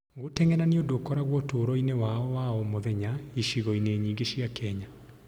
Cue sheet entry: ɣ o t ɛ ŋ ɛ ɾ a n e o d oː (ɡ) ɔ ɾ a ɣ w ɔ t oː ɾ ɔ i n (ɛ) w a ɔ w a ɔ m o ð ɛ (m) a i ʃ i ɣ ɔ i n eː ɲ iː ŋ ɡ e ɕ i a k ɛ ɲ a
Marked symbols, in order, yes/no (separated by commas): no, no, no